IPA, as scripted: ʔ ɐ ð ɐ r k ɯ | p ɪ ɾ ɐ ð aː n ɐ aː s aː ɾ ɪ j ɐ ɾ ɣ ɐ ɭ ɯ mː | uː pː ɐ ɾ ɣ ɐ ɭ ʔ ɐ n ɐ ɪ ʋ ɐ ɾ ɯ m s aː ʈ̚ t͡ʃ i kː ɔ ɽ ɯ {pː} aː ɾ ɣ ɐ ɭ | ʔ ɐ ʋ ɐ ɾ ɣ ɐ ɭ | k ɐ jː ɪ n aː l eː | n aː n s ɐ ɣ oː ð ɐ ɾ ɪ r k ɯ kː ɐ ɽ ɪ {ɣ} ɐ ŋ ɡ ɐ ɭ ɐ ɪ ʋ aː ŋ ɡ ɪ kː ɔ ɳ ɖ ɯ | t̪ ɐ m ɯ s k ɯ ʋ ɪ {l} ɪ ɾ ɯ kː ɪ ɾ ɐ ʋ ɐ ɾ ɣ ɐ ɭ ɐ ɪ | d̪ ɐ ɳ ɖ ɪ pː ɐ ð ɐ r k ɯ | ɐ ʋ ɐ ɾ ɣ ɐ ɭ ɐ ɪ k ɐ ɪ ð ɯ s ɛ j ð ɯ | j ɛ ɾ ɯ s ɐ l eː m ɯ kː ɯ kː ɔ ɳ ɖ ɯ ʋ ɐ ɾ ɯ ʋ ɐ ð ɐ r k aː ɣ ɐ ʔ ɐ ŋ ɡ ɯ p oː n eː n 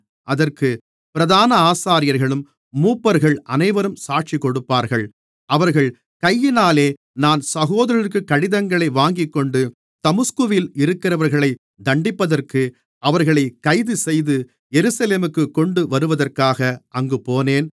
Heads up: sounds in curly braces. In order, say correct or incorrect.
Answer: correct, incorrect, correct

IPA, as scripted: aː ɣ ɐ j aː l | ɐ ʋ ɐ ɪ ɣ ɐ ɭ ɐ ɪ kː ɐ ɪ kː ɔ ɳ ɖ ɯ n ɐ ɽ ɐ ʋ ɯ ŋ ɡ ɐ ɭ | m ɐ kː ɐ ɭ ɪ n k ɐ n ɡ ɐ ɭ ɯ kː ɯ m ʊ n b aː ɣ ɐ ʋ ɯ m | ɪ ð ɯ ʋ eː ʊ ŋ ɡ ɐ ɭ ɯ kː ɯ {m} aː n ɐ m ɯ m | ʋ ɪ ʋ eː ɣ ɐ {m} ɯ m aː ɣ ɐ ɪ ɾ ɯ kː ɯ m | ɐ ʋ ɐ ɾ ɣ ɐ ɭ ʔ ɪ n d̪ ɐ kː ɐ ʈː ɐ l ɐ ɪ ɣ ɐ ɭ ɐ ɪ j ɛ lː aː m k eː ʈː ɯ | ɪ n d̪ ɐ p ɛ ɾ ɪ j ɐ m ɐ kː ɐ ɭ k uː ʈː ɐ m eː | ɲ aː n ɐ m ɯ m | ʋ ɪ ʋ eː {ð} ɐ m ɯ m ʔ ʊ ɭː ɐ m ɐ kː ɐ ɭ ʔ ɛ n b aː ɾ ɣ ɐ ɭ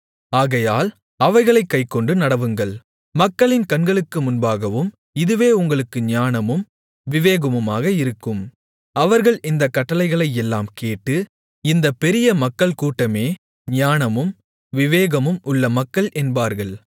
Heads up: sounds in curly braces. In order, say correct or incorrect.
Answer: incorrect, correct, incorrect

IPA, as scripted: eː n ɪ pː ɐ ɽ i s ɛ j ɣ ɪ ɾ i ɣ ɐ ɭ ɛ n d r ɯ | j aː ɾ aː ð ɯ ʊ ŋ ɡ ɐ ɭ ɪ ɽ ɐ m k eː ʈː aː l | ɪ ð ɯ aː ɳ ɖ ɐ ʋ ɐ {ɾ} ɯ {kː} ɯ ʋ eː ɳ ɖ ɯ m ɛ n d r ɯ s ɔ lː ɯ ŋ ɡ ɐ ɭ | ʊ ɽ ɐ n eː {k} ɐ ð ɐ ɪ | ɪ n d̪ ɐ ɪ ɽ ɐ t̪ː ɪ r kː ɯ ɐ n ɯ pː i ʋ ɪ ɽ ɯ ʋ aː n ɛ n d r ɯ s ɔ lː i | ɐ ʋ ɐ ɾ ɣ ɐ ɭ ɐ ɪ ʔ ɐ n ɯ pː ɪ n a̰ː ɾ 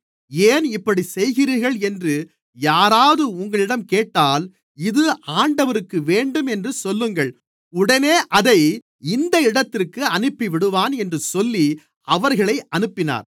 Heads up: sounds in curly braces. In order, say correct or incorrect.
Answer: correct, correct, incorrect

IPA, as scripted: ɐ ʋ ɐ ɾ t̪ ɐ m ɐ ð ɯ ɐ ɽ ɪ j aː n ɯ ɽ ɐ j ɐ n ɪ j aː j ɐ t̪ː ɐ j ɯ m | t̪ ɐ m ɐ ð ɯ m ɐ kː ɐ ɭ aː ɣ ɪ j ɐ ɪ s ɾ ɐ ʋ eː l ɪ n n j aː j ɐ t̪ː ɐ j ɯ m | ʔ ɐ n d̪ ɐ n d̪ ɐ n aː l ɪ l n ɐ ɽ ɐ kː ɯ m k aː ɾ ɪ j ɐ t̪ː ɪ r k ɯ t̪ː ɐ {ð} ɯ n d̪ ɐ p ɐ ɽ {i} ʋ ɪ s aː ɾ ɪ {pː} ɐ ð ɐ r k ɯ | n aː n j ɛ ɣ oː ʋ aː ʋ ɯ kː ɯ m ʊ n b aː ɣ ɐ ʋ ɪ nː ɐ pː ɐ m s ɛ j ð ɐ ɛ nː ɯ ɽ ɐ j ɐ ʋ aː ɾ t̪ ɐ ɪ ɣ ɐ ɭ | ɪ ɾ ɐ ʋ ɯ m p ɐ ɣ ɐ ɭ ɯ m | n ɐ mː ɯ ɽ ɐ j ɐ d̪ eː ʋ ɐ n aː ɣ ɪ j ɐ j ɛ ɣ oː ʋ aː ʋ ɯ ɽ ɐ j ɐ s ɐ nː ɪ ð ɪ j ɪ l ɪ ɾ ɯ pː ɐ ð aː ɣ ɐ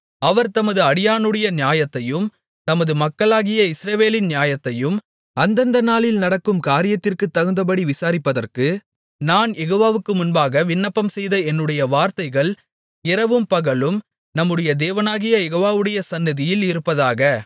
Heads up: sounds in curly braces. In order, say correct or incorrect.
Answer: incorrect, correct, correct

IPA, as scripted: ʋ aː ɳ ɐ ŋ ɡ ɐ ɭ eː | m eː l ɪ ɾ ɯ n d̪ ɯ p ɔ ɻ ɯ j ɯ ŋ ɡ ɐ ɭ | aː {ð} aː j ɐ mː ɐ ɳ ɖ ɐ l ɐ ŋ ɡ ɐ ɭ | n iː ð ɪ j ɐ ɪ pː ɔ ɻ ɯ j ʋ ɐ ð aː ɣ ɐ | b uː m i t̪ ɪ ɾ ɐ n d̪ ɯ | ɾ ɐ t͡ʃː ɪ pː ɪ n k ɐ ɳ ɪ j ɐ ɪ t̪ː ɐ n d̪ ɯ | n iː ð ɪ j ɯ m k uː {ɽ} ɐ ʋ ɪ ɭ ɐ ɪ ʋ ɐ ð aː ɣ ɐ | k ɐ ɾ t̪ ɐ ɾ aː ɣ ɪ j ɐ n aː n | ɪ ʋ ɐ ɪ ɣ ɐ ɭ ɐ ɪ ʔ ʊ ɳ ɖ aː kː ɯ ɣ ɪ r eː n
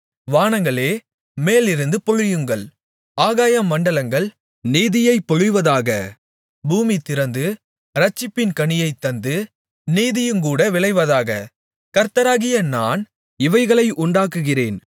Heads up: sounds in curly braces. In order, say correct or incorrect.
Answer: incorrect, correct

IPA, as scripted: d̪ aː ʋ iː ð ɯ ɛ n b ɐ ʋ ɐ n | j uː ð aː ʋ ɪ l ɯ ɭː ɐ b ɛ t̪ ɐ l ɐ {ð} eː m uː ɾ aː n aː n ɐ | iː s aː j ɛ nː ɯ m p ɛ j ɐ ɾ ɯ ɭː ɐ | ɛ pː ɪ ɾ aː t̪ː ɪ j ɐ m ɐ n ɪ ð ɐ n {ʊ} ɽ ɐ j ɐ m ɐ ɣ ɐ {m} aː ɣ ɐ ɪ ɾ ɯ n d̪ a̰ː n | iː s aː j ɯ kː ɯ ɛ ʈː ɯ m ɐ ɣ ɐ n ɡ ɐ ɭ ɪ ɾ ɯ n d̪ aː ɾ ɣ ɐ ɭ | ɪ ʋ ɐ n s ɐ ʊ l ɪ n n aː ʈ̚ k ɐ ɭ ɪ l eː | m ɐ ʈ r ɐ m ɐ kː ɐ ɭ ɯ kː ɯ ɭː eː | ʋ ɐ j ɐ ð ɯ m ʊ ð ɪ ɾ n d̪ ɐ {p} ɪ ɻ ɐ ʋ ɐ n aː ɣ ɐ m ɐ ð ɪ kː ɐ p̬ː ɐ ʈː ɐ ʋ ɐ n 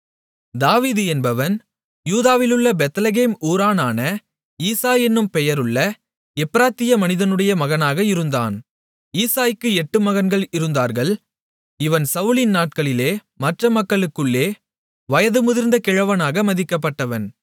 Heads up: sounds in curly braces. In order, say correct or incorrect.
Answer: incorrect, incorrect, incorrect, incorrect

